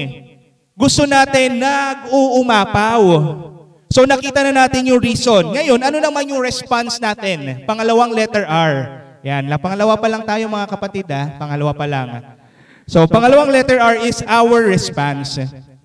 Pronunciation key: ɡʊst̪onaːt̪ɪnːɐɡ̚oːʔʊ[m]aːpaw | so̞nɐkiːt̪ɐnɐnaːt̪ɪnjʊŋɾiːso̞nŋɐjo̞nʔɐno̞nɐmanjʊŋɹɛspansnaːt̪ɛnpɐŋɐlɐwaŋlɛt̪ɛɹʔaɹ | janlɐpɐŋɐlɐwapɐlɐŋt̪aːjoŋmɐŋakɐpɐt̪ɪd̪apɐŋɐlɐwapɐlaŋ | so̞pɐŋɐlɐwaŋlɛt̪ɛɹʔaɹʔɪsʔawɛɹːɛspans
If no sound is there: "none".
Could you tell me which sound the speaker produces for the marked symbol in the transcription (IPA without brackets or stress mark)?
m